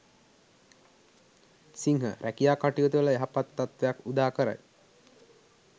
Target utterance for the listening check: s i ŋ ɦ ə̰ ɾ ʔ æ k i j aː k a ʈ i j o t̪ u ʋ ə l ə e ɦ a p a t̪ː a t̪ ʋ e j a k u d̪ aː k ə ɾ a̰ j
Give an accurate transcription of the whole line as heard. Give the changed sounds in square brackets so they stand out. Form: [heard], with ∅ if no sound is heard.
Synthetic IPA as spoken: s i ŋ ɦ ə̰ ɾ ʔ æ k i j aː k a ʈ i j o t̪ u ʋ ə l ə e ɦ a p a t̪ː a t̪ ʋ e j a k u d̪ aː k ə ɾ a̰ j